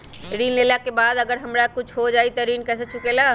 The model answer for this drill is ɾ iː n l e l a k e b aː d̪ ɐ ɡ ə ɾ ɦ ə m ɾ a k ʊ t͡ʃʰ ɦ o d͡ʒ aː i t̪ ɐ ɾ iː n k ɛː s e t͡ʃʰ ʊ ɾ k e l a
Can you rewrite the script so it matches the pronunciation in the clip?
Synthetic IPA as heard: ɾ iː n l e l a k e b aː d̪ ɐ ɡ ə ɾ ɦ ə m ɾ a k ʊ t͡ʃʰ ɦ o d͡ʒ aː i t̪ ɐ ɾ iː n k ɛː s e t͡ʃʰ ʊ k e l a